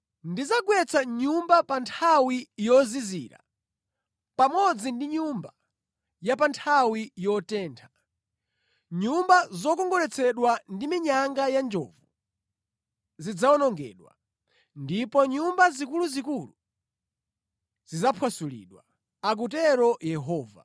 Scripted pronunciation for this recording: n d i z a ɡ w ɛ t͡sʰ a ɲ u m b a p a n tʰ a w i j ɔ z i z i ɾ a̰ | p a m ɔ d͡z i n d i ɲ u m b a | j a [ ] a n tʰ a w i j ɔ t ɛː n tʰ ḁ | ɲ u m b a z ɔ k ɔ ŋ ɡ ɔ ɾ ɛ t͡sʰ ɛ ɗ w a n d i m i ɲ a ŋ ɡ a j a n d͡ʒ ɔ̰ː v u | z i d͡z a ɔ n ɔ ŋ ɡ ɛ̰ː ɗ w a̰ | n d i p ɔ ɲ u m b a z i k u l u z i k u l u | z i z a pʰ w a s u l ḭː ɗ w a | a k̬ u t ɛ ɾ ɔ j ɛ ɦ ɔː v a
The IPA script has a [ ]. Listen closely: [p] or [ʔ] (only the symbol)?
p